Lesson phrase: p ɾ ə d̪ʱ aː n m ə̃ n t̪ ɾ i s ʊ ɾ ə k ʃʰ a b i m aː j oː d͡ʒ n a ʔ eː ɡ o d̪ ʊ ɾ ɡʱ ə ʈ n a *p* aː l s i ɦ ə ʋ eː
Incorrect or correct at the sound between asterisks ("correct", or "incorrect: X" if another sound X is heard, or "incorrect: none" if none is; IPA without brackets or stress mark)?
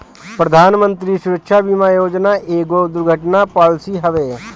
correct